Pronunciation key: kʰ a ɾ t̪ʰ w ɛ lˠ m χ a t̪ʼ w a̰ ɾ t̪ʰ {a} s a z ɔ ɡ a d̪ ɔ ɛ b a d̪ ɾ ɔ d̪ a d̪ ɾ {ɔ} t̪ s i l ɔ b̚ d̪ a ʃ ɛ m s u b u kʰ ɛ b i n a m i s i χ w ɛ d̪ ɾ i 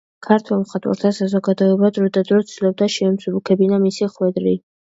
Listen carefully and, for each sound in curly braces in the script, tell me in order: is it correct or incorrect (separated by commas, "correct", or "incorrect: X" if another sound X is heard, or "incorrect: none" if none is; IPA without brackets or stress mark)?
correct, correct